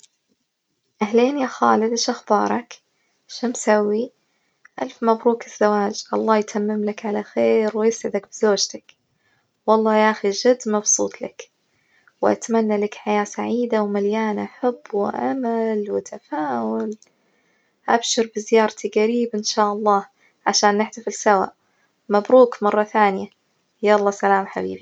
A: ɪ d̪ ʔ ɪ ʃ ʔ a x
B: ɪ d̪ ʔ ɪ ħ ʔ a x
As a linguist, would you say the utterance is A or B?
A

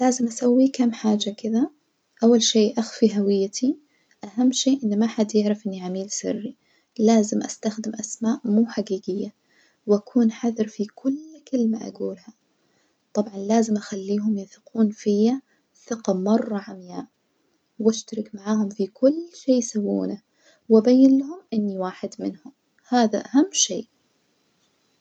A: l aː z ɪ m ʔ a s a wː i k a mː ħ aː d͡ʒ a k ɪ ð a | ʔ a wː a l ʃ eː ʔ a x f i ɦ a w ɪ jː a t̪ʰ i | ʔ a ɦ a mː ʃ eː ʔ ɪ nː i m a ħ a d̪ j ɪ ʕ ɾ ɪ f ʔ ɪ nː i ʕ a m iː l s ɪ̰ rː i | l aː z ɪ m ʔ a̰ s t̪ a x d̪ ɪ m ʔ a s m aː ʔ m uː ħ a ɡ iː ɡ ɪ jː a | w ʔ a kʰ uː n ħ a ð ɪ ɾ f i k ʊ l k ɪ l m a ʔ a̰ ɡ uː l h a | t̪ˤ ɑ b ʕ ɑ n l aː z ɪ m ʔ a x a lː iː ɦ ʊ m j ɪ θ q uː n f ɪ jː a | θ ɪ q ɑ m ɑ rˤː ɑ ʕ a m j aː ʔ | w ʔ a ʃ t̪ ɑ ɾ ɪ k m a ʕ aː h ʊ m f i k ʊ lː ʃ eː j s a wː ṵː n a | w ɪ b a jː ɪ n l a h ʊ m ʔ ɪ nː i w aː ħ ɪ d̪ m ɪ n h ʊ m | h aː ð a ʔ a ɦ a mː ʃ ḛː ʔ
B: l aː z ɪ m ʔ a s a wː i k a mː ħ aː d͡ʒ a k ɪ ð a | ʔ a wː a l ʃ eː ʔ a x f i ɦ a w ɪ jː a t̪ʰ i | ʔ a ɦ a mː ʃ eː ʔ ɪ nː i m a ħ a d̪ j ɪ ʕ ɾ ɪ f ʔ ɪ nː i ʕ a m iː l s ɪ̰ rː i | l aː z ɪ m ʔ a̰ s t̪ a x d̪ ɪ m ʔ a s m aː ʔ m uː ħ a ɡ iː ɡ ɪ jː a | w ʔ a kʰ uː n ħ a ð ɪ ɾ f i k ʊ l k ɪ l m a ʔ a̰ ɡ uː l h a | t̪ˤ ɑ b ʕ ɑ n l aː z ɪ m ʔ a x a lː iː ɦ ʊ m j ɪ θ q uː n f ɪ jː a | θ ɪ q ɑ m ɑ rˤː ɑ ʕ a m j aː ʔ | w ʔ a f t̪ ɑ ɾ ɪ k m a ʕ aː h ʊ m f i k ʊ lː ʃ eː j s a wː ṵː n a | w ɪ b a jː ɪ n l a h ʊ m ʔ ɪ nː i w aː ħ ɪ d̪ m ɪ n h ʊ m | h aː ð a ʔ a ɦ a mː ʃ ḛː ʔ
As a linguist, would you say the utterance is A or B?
A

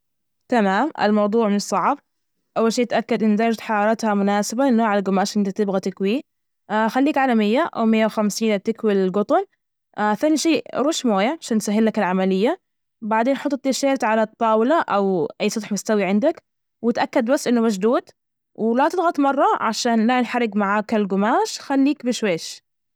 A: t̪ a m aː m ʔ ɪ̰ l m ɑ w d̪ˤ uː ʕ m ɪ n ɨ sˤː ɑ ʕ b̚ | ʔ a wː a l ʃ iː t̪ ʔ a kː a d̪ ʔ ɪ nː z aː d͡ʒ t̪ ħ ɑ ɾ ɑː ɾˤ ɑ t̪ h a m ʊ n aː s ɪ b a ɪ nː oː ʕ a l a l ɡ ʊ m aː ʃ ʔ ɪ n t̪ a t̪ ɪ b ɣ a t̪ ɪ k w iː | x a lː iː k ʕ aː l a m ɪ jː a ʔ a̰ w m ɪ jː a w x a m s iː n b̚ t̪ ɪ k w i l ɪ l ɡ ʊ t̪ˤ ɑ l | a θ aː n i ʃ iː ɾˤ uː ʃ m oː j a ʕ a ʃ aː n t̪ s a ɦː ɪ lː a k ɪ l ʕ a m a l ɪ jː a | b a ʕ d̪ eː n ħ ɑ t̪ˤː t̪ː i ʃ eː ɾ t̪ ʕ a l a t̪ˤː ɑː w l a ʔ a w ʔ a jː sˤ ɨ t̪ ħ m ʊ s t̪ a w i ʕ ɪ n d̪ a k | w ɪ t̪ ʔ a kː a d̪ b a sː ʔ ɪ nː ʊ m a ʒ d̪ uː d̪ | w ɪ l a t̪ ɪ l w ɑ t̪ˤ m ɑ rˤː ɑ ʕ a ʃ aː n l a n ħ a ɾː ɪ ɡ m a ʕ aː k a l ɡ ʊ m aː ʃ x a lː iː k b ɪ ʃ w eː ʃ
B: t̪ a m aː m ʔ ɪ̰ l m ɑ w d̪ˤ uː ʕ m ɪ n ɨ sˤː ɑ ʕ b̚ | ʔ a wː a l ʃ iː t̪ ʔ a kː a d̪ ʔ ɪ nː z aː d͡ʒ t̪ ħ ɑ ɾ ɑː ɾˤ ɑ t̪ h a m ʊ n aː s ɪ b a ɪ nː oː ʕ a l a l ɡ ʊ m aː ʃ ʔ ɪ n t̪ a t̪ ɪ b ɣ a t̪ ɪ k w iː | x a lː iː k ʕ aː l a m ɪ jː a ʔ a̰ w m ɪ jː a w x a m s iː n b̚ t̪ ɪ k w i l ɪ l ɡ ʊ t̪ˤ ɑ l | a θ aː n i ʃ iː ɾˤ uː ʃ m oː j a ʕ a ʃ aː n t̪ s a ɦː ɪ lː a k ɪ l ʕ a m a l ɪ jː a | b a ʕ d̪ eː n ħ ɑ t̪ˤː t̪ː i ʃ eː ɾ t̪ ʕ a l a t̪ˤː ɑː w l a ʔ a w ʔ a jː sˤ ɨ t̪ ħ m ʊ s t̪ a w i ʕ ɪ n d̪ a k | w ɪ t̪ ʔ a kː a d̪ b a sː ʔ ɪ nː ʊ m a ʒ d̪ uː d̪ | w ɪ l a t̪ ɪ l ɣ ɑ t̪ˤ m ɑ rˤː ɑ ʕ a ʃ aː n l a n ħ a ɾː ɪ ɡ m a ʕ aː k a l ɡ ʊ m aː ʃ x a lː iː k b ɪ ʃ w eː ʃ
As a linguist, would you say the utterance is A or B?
B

